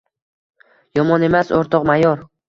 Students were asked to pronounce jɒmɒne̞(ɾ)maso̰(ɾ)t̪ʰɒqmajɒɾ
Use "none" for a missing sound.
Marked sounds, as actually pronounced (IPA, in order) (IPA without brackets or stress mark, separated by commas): none, ɾ